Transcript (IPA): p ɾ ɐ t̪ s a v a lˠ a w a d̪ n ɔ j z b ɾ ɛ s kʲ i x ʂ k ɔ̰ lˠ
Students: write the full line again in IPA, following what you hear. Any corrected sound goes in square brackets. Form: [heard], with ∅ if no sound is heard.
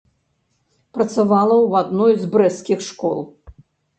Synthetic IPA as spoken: p ɾ ɐ t̪ s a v a lˠ [ɐ] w a d̪ n ɔ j z b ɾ ɛ s kʲ i x ʂ k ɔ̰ lˠ

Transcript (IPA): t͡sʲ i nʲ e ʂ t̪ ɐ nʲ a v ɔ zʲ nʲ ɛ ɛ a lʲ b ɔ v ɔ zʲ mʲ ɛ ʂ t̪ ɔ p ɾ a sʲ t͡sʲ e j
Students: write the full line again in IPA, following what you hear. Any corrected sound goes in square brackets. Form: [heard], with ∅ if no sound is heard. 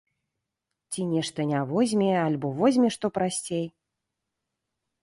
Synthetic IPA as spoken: t͡sʲ i nʲ [ɛ] ʂ t̪ ɐ nʲ a v ɔ zʲ [mʲ] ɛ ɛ a lʲ b ɔ v ɔ zʲ mʲ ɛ ʂ t̪ ɔ p ɾ a sʲ t͡sʲ e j

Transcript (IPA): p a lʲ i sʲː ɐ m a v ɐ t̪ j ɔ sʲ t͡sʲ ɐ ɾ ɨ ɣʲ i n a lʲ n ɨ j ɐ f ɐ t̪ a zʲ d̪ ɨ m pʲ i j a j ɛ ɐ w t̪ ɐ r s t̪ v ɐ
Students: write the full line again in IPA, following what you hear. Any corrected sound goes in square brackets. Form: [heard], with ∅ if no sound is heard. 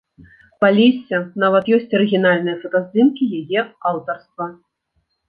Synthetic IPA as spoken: p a lʲ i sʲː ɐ [n] a v ɐ t̪ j ɔ sʲ t͡sʲ ɐ ɾ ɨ ɣʲ i n a lʲ n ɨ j ɐ f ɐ t̪ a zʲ d̪ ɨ m [kʲ] i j a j ɛ [a] w t̪ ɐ r s t̪ v ɐ

